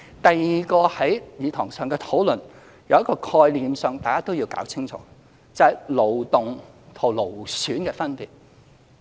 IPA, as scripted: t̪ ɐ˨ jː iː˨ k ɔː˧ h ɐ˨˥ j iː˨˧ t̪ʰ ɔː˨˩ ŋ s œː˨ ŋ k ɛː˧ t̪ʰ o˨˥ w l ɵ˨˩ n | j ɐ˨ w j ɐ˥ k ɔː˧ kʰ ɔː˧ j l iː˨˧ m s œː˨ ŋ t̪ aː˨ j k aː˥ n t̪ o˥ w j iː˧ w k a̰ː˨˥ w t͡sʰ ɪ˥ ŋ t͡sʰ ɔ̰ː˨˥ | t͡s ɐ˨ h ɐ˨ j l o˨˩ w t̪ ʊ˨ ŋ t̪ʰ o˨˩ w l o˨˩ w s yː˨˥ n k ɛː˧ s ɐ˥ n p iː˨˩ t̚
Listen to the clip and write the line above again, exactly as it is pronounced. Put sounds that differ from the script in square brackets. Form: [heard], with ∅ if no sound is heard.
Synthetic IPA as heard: t̪ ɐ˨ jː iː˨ k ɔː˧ h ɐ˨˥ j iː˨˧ t̪ʰ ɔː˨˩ ŋ s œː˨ ŋ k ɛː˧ t̪ʰ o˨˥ w l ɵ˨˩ n | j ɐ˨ w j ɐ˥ k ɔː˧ kʰ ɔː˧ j l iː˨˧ m s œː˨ ŋ t̪ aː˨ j k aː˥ [∅] t̪ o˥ w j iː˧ w k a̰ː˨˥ w t͡sʰ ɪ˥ ŋ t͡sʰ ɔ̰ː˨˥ | t͡s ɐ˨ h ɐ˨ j l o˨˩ w t̪ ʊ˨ ŋ t̪ʰ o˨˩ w l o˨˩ w s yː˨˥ n k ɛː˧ [f] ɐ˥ n p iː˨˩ t̚

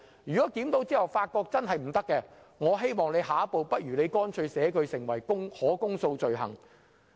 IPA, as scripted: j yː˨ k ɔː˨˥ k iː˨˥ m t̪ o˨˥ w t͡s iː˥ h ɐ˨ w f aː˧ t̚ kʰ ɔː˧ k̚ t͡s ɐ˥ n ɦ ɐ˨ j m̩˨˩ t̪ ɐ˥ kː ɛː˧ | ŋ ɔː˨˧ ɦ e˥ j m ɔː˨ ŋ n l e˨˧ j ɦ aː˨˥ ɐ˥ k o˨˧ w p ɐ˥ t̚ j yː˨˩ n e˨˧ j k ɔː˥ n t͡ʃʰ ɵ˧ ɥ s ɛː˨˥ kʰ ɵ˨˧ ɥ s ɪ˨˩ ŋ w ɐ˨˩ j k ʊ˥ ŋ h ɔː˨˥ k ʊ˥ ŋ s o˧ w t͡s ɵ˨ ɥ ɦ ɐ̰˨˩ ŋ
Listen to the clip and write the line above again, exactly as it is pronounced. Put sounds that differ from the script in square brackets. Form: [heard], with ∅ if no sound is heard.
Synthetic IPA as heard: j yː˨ k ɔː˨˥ k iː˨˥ m t̪ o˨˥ w t͡s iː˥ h ɐ˨ w f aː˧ t̚ [k] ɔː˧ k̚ t͡s ɐ˥ n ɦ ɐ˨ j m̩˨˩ t̪ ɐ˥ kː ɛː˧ | ŋ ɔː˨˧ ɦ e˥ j m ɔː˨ ŋ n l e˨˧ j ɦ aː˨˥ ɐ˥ [p] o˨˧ w p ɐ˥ t̚ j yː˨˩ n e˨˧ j k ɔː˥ n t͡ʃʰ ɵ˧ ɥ s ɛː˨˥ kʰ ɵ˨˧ ɥ s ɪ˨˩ ŋ w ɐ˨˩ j k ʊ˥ ŋ h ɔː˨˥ k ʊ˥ ŋ s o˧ w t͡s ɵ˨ ɥ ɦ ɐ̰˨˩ ŋ

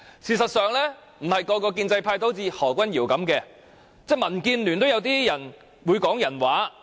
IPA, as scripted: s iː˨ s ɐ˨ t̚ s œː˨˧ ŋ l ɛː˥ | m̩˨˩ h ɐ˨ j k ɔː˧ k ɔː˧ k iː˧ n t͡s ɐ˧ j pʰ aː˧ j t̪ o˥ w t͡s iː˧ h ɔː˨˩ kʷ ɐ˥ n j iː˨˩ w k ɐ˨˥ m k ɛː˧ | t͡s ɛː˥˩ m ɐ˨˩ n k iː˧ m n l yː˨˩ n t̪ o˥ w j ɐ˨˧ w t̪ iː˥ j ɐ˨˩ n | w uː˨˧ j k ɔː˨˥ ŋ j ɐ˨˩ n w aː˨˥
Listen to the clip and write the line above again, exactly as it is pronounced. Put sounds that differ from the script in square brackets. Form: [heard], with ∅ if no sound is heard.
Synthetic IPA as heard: s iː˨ s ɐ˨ t̚ s œː˨˧ ŋ l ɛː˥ | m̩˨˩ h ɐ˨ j k ɔː˧ k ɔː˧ k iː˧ n t͡s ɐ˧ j pʰ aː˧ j t̪ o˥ w t͡s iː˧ h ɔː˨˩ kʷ ɐ˥ n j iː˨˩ w k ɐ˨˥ m k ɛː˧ | t͡s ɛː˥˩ m ɐ˨˩ n k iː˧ [∅] n l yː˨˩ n t̪ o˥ w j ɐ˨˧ w t̪ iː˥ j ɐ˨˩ n | w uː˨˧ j k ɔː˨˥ ŋ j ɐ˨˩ n w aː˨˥

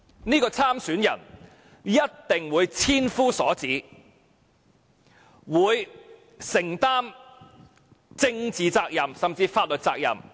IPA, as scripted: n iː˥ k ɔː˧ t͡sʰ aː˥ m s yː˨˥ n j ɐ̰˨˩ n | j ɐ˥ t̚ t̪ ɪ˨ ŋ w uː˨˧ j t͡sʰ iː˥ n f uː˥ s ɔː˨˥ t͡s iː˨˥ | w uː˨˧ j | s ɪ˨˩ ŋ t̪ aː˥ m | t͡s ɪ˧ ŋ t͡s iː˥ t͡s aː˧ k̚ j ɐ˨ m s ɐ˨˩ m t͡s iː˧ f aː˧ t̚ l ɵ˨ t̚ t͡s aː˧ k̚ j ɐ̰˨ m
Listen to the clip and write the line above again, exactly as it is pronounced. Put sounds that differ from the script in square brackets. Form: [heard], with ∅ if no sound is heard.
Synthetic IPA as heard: n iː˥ k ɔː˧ t͡sʰ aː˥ m s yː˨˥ n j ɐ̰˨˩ n | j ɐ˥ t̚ t̪ ɪ˨ ŋ w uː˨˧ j t͡sʰ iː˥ n f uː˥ s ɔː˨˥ t͡s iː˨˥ | w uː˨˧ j | s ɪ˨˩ ŋ t̪ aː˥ m | t͡s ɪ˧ ŋ t͡s [iː˨] t͡s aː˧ k̚ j ɐ˨ m s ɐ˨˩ m t͡s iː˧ f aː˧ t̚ l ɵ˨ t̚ t͡s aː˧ k̚ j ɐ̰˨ m

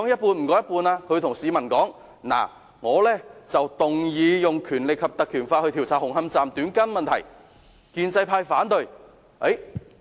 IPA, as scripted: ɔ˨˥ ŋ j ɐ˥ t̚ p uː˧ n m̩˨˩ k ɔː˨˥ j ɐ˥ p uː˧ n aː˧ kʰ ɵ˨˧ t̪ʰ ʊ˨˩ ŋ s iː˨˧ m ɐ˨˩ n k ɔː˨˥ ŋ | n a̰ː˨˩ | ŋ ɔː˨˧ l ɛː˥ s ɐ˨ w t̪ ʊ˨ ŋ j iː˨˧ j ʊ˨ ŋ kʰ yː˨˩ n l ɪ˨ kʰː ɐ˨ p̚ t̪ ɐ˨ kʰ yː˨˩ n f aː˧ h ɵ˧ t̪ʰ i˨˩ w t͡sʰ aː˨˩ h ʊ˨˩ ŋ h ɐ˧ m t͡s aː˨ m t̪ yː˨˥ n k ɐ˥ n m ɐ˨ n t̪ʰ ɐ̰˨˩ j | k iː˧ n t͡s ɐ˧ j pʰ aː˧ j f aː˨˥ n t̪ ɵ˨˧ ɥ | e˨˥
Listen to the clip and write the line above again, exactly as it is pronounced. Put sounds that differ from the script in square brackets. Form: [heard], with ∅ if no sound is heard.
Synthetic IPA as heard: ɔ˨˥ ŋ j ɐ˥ t̚ p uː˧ n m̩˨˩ k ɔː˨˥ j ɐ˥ p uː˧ n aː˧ kʰ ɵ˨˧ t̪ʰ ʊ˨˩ ŋ s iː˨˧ m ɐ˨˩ n k ɔː˨˥ ŋ | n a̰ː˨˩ | ŋ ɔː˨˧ l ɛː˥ [t͡s] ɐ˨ w t̪ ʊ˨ ŋ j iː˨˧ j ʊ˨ ŋ kʰ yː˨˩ n l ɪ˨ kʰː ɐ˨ p̚ t̪ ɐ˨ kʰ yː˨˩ n f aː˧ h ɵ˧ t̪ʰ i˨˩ w t͡sʰ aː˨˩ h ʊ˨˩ ŋ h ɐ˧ m t͡s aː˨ m t̪ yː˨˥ n k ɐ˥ n m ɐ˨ n t̪ʰ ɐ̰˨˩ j | k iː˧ n t͡s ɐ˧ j pʰ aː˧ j f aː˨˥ n t̪ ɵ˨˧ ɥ | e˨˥

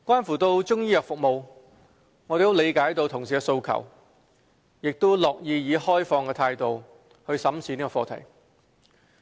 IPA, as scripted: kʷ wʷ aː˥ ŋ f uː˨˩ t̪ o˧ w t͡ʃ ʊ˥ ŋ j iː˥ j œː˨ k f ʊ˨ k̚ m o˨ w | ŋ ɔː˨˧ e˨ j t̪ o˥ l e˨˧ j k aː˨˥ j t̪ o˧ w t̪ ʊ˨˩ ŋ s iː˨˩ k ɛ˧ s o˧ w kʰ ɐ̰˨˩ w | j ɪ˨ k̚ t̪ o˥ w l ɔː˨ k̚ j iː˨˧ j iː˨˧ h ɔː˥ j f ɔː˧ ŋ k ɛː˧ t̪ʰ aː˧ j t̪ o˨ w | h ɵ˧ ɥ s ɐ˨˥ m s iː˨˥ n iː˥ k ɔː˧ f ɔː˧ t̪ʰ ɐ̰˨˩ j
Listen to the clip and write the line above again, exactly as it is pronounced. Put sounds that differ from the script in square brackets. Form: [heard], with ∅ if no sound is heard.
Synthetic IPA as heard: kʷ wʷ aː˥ [n] f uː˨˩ t̪ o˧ w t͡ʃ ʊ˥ ŋ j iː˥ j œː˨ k f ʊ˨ k̚ m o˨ w | ŋ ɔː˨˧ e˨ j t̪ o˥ l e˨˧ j k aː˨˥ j t̪ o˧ w [t̪ʰ] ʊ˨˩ ŋ s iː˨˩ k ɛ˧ s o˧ w kʰ ɐ̰˨˩ w | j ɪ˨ k̚ t̪ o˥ w l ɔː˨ k̚ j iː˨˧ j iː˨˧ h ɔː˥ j f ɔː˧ ŋ k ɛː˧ t̪ʰ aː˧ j t̪ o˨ w | h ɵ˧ ɥ s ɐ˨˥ m s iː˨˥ n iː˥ k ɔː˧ f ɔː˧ t̪ʰ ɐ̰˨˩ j

